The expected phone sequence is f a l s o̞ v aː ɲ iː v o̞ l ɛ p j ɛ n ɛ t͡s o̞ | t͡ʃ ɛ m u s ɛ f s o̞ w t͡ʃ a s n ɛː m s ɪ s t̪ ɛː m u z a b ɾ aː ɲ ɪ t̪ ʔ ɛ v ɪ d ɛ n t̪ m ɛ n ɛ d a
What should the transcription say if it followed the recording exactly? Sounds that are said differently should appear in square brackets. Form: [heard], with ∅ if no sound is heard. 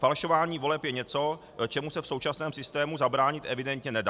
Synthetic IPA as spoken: f a l [ʃ] o̞ v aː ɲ iː v o̞ l ɛ p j ɛ [ɲ] ɛ t͡s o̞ | t͡ʃ ɛ m u s ɛ f s o̞ w t͡ʃ a s n ɛː m s ɪ s t̪ ɛː m u z a b ɾ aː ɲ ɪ t̪ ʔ ɛ v ɪ d ɛ n t̪ [ɲ] ɛ n ɛ d a

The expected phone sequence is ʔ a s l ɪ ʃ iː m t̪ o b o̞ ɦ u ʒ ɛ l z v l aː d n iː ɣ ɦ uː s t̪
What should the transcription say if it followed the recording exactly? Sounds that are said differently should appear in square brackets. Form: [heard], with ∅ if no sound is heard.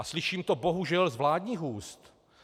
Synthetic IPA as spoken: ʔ a s l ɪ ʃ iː m t̪ o b o̞ ɦ u ʒ ɛ l z v l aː d [ɲ] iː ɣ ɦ uː s t̪

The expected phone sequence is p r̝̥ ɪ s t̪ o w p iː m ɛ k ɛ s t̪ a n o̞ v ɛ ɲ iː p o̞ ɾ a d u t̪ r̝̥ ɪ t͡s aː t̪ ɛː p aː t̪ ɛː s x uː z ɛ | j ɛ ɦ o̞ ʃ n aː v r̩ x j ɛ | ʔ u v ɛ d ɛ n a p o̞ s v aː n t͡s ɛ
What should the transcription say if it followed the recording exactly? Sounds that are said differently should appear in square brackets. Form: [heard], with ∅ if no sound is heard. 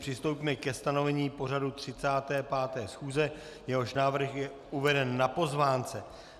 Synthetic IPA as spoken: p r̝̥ ɪ s t̪ o w p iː m ɛ k ɛ s t̪ a n o̞ v ɛ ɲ iː p o̞ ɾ a d u t̪ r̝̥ ɪ t͡s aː t̪ ɛː p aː t̪ ɛː s x uː z ɛ | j ɛ ɦ o̞ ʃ n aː v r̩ x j ɛ | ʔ u v ɛ d ɛ [nː] a p o̞ [z] v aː n t͡s ɛ

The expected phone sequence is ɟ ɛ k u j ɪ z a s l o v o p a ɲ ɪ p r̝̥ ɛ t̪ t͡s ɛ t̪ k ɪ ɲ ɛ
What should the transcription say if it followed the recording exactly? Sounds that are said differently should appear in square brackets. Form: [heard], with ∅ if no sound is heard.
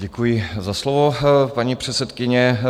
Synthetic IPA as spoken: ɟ ɛ k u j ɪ z a s l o v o p a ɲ [i] p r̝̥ ɛ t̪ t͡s ɛ t̪ k ɪ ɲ ɛ

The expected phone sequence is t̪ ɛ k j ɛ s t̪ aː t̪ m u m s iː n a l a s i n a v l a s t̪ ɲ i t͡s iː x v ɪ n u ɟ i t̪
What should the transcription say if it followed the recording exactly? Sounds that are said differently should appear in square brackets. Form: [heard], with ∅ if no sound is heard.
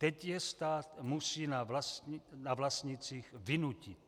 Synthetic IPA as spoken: t̪ ɛ [c] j ɛ s t̪ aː t̪ m u [∅] s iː n a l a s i n a v l a s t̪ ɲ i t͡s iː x v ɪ n u [c] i t̪

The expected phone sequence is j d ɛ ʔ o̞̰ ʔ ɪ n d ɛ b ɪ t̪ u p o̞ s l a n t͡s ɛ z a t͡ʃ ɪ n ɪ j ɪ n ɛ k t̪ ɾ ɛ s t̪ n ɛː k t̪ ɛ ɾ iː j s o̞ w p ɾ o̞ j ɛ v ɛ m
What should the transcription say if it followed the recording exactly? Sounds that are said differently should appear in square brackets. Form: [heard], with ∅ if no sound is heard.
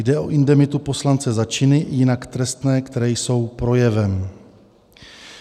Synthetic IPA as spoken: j d ɛ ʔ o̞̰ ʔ ɪ n d ɛ [m] ɪ t̪ u p o̞ s l a n t͡s ɛ z a t͡ʃ ɪ n ɪ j ɪ n [a] k t̪ ɾ ɛ s t̪ n ɛː k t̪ ɛ ɾ [ɛː] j s o̞ w p ɾ o̞ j ɛ v ɛ m

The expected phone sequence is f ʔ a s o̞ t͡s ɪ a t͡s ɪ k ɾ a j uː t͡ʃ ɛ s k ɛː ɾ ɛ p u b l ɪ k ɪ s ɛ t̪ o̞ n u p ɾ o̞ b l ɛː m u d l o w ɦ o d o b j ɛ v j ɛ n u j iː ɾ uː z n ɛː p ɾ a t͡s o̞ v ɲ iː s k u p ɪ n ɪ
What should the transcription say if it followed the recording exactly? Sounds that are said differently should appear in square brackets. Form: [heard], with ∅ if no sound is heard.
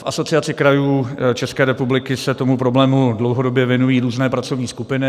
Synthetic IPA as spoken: f ʔ a s o̞ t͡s ɪ a t͡s ɪ k ɾ a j uː t͡ʃ ɛ s k ɛː ɾ ɛ p u b l ɪ k ɪ s ɛ t̪ o̞ [m] u p ɾ o̞ b l ɛː m u d l o w ɦ o d o b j ɛ v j ɛ n u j iː ɾ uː z n ɛː p ɾ a t͡s o̞ v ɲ iː s k u p ɪ n ɪ

